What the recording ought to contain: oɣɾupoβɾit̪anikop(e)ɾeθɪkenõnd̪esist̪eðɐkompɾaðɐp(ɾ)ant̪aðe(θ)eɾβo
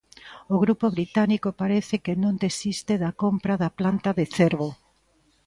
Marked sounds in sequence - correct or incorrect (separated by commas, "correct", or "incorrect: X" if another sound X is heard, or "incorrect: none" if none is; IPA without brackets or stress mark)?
incorrect: a, incorrect: l, correct